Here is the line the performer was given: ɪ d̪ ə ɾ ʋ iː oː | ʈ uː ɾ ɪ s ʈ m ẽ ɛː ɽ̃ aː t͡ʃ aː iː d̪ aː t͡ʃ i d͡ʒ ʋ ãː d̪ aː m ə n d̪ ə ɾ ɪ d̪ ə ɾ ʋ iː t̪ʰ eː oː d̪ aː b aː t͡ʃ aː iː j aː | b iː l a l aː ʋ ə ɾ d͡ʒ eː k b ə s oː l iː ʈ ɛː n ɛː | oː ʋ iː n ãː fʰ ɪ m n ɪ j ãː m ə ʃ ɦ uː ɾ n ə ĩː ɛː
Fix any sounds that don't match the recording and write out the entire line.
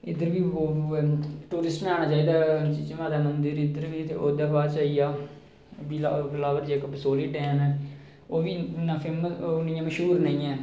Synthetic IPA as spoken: ɪ d̪ ə ɾ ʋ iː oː | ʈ uː ɾ ɪ s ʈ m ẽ aː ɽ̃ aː t͡ʃ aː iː d̪ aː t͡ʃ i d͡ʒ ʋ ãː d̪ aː m ə n d̪ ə ɾ ɪ d̪ ə ɾ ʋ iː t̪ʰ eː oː d̪ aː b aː t͡ʃ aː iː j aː | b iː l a l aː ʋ ə ɾ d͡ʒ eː k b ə s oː l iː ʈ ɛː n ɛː | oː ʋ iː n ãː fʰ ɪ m n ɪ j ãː m ə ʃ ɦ uː ɾ n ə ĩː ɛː